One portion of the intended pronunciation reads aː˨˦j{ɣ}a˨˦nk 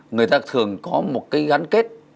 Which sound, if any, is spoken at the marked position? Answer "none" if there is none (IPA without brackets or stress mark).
ɣ